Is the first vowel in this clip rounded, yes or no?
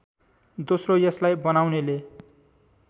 yes